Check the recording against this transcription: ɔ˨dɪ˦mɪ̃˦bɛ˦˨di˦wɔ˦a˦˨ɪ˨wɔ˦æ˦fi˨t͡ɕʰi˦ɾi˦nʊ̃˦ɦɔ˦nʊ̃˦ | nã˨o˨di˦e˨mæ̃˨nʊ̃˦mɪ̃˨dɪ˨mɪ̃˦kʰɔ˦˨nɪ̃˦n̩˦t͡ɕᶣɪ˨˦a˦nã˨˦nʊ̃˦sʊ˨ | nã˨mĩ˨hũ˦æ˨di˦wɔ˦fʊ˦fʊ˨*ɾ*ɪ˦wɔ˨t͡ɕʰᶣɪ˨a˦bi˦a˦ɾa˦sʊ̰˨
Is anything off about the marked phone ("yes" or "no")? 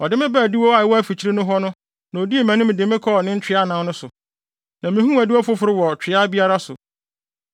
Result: no